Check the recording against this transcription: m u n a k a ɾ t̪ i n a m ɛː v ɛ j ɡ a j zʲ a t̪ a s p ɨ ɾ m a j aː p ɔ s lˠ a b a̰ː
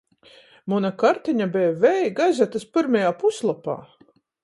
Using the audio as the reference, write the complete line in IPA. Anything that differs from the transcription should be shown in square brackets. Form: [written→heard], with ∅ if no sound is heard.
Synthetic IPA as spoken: m u n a k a ɾ t̪ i [n→ɲ] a [m→b] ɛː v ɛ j ɡ a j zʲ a t̪ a s p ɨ ɾ m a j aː p [ɔ→u] s lˠ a [b→p] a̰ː

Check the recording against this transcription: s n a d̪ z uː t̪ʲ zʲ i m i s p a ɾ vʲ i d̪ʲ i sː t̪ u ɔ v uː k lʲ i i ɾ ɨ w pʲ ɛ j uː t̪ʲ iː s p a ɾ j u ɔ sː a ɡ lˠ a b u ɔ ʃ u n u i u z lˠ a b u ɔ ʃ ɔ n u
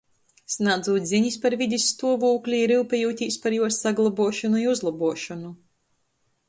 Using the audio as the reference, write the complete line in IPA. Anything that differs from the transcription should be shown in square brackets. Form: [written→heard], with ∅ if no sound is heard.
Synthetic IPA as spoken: s n a d̪ z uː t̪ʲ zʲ i [m→ɲ] i s p a ɾ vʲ i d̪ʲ i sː t̪ u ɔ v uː k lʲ i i ɾ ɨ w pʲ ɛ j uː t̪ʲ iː s p a ɾ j u ɔ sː a ɡ lˠ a b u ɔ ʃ [u→ɔ] n u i u z lˠ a b u ɔ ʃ ɔ n u

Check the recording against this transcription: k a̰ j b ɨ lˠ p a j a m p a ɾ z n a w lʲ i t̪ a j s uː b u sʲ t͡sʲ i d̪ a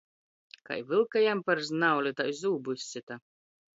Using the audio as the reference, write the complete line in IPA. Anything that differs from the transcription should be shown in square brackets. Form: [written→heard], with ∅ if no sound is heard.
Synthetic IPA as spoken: k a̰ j [b→v] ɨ lˠ [p→k] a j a m p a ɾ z n a w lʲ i t̪ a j [s→z] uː b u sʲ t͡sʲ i [d̪→t̪] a

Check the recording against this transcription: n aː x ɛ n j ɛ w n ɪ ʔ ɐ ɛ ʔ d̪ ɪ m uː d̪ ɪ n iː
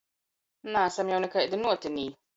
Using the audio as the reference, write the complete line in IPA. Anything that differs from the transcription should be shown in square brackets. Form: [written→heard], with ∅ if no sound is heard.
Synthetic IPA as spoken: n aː [x→s] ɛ [n→m] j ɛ w n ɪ [ʔ→k] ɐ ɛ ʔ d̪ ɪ [m→n] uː [d̪→t̪] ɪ n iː

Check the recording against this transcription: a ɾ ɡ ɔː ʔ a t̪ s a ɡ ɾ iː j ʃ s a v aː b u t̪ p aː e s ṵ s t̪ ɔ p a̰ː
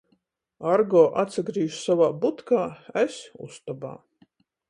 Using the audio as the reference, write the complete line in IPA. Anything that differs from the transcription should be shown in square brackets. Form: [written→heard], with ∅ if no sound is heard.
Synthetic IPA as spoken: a ɾ ɡ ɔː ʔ a t̪ s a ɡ ɾ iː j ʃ s a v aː b u t̪ [p→k] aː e s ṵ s t̪ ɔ [p→b] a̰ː

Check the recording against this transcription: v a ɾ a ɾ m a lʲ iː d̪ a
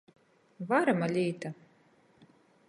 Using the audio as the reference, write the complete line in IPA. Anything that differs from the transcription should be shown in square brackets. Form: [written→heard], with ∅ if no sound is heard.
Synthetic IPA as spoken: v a ɾ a [ɾ→∅] m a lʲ iː [d̪→t̪] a

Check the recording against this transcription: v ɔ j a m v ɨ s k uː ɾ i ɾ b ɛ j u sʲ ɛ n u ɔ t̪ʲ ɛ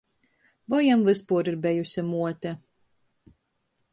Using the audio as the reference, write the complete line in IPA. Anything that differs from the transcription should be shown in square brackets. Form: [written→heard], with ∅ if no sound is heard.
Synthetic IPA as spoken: v ɔ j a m v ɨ s [k→p] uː ɾ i ɾ b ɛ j u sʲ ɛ [n→m] u ɔ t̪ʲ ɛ

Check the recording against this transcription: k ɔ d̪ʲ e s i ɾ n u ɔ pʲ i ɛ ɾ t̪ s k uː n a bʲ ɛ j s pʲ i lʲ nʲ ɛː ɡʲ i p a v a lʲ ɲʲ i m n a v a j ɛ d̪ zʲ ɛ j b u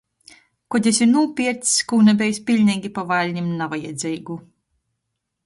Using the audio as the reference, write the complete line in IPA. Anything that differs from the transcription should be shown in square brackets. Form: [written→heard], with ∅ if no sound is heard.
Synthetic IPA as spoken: k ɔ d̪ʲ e s i ɾ n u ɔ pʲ i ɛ ɾ t̪ s k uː n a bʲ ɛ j s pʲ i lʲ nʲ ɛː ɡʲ i p a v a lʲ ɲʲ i m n a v a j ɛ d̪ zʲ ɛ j [b→ɡ] u

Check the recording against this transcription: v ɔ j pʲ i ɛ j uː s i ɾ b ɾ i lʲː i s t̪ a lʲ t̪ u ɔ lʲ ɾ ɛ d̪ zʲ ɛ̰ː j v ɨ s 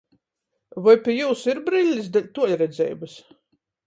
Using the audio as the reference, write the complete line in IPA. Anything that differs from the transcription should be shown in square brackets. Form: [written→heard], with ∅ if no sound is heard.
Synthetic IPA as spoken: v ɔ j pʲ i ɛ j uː s i ɾ b ɾ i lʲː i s [t̪→d̪] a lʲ t̪ u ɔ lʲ ɾ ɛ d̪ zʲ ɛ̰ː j [v→b] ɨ s

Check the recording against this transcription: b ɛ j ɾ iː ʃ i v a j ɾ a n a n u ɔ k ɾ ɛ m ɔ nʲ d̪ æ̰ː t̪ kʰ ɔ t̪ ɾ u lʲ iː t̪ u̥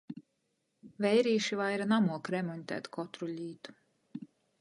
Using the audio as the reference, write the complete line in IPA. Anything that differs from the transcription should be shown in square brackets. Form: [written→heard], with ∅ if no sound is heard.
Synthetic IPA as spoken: [b→v] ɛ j ɾ iː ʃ i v a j ɾ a n a [n→m] u ɔ k ɾ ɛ m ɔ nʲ [d̪→t̪] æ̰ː t̪ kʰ ɔ t̪ ɾ u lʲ iː t̪ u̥

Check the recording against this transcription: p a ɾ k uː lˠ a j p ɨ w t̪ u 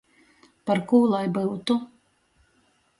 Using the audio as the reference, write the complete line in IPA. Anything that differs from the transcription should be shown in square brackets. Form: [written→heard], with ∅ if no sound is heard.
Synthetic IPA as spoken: p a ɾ k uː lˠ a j [p→b] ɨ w t̪ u

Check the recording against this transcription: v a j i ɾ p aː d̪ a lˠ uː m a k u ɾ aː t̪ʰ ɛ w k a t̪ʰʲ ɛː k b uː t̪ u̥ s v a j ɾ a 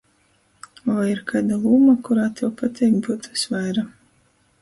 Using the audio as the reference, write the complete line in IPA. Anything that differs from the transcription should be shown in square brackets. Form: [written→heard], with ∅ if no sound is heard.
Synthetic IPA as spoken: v a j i ɾ [p→k] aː d̪ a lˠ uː m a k u ɾ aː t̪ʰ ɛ w [k→p] a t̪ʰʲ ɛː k b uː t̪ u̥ s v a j ɾ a

